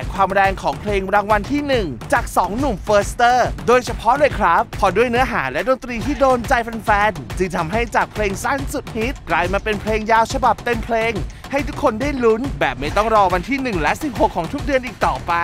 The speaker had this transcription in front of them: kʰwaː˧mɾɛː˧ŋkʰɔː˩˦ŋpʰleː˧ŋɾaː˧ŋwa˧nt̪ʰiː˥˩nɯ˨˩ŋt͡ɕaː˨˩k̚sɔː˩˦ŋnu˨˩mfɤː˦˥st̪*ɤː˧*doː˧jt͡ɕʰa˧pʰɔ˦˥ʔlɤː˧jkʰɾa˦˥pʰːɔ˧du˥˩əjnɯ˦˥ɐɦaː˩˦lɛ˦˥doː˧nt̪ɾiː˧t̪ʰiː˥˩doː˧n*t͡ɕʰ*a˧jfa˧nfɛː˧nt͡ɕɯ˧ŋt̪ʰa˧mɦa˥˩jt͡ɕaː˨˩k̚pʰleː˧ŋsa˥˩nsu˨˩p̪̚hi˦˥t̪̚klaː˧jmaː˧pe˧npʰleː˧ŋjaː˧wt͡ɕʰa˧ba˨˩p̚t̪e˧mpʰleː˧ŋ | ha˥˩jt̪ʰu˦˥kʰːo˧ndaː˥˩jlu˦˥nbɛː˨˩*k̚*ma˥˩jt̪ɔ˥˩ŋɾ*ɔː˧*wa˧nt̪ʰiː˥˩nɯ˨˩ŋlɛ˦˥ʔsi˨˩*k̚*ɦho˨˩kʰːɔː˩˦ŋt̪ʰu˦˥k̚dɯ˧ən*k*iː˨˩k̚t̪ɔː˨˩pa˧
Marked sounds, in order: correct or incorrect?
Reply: incorrect, incorrect, incorrect, correct, incorrect, incorrect

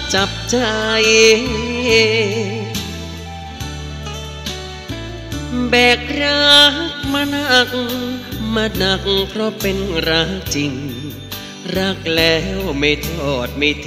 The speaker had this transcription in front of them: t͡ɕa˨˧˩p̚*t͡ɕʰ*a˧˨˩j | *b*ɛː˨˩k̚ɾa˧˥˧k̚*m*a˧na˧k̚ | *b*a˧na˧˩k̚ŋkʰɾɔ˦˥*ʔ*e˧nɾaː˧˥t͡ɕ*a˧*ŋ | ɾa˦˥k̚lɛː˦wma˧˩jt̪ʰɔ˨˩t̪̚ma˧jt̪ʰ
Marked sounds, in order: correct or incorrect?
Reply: incorrect, correct, correct, incorrect, incorrect, incorrect

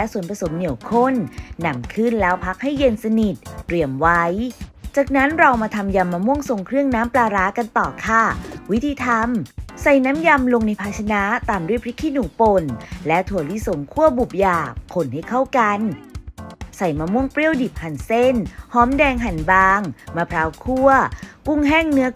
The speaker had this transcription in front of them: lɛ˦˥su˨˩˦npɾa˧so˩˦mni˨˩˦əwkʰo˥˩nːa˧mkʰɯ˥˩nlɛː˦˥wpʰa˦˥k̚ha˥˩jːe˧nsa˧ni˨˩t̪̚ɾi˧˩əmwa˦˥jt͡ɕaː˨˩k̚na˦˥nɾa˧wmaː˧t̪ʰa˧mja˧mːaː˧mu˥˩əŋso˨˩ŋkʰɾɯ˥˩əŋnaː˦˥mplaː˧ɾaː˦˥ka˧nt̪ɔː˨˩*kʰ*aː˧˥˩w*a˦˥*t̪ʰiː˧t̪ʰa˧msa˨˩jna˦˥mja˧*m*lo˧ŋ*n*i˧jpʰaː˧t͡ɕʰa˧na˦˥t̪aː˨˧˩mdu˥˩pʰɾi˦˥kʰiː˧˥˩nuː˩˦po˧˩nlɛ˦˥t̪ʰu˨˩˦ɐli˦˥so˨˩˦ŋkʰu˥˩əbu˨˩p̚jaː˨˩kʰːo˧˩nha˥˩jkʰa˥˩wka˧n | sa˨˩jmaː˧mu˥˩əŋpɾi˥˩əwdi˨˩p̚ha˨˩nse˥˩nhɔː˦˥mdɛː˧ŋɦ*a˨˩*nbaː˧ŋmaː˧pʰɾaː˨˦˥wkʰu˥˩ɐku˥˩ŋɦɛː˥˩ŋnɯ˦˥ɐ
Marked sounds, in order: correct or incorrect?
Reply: correct, incorrect, correct, correct, correct

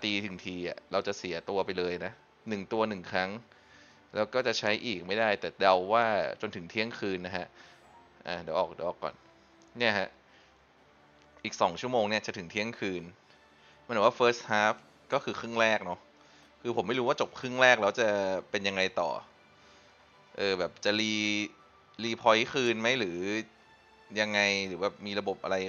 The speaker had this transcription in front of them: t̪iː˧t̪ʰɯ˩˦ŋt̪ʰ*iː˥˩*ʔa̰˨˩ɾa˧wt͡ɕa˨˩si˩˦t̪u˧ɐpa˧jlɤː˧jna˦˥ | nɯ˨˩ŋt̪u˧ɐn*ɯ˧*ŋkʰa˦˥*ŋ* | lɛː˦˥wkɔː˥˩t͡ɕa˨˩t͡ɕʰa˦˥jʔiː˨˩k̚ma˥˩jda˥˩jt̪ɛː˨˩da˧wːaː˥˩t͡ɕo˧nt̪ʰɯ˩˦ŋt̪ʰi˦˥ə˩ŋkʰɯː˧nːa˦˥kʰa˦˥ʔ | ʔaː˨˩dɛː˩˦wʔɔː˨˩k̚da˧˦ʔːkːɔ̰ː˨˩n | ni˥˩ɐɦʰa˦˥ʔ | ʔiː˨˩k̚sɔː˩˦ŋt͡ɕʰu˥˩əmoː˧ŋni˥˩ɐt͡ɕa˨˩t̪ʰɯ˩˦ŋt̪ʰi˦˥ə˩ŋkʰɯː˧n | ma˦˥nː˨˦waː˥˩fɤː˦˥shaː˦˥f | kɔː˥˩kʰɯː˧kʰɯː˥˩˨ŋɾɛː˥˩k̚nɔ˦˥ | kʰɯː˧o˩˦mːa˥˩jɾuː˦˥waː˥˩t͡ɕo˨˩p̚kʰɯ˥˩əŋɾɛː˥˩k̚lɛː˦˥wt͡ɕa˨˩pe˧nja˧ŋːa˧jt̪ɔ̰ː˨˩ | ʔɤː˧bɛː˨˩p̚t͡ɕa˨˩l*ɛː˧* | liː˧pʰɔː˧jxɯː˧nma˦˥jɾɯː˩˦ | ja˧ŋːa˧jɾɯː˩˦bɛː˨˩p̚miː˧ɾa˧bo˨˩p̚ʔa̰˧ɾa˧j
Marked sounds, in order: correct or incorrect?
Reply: incorrect, incorrect, correct, incorrect

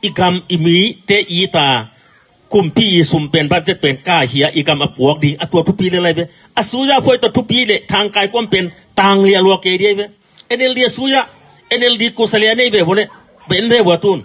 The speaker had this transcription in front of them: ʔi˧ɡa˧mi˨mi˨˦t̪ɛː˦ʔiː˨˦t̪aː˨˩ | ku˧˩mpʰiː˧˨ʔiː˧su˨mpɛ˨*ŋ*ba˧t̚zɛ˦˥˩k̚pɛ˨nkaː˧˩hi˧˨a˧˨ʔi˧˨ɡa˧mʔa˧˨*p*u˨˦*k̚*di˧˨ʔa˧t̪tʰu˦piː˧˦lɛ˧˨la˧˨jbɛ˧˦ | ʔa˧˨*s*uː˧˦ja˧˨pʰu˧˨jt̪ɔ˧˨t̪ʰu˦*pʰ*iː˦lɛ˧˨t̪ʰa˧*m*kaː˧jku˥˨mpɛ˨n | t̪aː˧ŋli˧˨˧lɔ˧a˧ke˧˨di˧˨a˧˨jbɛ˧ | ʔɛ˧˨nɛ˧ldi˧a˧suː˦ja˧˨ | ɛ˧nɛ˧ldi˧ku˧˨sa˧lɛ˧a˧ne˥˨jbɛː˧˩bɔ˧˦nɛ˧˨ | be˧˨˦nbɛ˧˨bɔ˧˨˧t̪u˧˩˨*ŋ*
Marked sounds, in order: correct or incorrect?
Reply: incorrect, correct, correct, correct, incorrect, incorrect, incorrect

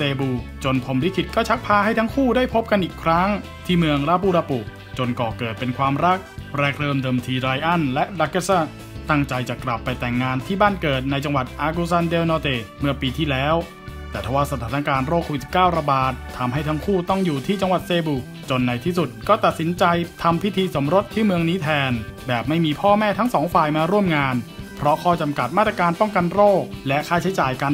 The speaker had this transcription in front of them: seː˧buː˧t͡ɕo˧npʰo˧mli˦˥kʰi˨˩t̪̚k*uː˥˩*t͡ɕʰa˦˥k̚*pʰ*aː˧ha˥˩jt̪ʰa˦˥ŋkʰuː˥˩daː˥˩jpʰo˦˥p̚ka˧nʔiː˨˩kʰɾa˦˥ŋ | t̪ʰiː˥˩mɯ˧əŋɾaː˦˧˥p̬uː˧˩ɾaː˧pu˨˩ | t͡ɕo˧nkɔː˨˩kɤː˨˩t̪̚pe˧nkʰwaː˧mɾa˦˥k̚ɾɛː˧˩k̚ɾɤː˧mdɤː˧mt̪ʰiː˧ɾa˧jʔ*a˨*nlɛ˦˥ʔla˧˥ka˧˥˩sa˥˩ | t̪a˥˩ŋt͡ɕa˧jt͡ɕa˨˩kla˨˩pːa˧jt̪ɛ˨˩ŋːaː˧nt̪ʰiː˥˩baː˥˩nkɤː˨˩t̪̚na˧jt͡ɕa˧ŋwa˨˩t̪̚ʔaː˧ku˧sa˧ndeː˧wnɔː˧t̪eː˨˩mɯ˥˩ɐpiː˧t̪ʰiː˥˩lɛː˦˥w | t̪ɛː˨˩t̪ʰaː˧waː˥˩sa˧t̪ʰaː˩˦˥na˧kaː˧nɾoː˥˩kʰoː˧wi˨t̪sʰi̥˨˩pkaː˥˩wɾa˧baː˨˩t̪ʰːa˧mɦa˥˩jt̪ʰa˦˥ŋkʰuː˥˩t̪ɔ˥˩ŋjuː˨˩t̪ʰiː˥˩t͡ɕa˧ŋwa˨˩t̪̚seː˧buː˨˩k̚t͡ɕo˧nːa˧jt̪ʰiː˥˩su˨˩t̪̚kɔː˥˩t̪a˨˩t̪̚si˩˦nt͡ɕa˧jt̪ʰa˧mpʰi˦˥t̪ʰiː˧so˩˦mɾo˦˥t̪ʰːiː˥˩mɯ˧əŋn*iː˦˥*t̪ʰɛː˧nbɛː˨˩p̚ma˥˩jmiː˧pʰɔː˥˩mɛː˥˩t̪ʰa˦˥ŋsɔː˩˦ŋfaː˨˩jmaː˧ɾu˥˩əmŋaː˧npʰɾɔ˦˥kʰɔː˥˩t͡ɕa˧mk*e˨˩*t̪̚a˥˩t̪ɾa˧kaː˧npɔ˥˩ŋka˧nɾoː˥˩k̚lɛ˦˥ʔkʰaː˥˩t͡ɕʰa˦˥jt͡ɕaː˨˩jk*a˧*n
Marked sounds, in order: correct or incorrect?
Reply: incorrect, correct, incorrect, correct, incorrect, correct

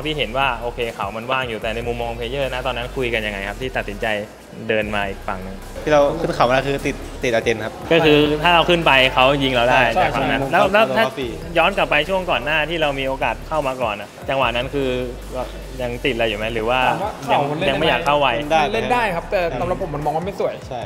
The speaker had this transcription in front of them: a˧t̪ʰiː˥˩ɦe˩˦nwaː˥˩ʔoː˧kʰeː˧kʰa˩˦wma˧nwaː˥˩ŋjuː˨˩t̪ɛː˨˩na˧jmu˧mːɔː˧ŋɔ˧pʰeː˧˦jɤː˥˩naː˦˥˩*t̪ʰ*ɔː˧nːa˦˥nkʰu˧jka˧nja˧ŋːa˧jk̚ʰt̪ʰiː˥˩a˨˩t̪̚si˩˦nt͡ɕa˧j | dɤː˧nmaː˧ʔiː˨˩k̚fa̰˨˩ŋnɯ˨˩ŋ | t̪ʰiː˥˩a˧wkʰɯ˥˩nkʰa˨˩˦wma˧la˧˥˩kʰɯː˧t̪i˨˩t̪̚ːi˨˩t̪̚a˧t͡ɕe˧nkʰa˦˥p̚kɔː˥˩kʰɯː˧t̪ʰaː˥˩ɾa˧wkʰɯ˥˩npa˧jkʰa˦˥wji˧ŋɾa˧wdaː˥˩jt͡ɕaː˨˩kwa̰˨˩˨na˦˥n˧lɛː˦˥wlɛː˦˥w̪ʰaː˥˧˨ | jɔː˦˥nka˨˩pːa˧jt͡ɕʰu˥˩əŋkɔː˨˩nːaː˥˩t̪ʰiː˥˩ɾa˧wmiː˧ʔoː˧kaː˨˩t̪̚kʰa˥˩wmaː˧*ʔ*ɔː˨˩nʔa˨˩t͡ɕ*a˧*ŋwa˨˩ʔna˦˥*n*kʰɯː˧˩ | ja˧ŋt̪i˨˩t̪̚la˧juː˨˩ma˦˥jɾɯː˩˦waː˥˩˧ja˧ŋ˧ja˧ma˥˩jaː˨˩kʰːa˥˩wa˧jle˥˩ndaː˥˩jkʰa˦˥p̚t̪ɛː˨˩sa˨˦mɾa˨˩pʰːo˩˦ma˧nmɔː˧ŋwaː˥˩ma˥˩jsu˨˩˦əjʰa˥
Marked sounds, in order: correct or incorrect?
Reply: incorrect, incorrect, correct, correct

